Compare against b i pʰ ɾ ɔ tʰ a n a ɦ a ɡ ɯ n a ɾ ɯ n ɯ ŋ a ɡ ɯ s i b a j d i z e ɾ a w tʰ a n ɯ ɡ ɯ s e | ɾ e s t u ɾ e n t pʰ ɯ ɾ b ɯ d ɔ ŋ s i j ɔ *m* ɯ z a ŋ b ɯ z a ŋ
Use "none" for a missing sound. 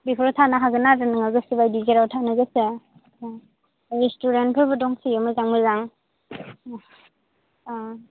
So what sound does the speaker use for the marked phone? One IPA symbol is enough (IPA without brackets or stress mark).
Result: m